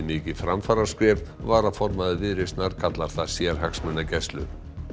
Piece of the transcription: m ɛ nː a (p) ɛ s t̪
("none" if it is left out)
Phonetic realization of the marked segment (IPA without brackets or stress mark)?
c